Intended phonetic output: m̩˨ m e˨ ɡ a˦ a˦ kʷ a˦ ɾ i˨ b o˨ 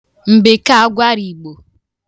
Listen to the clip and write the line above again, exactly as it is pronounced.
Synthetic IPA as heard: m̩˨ b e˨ k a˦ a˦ ɡʷ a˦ ɾ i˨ ɡ͡b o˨